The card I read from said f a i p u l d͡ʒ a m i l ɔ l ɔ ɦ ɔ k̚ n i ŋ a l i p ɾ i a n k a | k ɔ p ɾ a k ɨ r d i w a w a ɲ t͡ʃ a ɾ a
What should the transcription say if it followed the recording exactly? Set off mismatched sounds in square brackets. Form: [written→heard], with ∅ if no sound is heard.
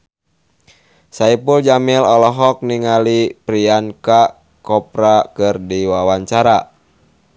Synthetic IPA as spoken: [f→s] a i p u l d͡ʒ a m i l ɔ l ɔ ɦ ɔ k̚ n i ŋ a l i p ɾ i a n k a | k ɔ p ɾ a k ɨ r d i w a w a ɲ t͡ʃ a ɾ a